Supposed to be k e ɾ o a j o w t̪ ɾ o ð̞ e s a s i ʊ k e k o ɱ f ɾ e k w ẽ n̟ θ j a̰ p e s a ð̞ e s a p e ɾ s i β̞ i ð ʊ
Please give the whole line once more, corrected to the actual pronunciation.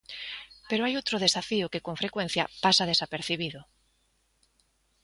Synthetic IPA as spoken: p e ɾ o a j o w t̪ ɾ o ð̞ e s a f i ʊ k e k o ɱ f ɾ e k w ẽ n̟ θ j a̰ p a s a ð̞ e s a p e ɾ θ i β̞ i ð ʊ